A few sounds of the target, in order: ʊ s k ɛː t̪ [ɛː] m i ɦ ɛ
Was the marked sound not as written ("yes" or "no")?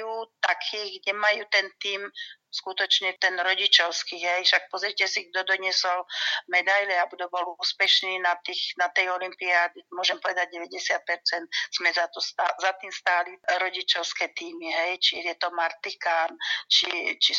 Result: yes